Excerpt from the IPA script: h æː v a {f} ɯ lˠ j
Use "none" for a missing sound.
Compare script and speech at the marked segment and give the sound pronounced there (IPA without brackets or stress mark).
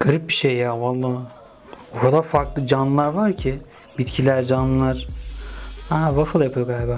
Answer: f